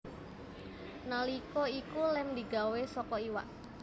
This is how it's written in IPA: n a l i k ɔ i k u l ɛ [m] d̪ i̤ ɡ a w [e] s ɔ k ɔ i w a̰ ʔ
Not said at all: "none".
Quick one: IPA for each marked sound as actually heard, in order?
m, e

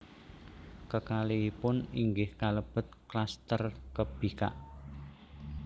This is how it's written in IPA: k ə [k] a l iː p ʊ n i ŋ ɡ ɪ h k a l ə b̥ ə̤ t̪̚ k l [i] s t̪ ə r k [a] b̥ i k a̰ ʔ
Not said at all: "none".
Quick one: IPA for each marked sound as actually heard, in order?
k, a, ə

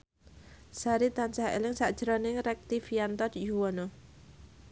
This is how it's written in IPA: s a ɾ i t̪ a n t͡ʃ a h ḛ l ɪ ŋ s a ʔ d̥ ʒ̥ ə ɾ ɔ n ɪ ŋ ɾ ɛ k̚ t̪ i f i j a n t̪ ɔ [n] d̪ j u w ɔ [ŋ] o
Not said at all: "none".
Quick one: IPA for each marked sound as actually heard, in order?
none, n

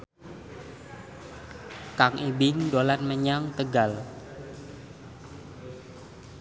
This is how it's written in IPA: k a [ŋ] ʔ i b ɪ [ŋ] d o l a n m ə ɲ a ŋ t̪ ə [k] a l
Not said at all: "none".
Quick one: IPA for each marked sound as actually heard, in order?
ŋ, ŋ, ɡ

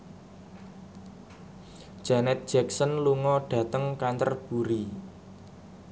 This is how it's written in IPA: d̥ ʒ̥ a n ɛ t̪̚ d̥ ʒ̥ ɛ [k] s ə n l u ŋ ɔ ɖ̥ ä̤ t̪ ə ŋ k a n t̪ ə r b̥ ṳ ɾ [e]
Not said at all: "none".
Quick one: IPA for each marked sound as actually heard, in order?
k, i

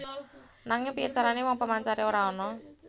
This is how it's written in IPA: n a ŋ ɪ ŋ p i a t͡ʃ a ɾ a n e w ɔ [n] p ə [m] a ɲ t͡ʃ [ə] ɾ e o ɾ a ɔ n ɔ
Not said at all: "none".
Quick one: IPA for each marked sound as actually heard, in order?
ŋ, m, a

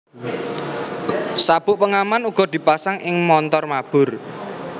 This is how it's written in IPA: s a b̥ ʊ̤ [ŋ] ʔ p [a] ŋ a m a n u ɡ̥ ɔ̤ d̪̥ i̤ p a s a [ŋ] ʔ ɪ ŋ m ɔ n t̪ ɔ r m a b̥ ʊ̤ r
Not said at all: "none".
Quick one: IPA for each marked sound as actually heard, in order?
none, ə, ŋ

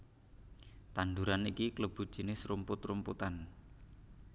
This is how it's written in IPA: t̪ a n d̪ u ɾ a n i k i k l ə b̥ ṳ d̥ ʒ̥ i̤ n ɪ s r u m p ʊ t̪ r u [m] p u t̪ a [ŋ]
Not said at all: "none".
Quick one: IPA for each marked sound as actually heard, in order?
m, n

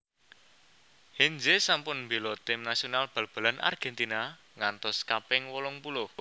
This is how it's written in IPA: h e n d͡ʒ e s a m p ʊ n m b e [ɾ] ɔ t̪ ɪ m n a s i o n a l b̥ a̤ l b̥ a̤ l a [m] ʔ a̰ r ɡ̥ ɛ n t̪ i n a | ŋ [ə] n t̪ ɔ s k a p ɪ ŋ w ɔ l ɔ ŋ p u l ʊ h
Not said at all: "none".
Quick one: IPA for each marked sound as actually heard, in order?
l, n, a

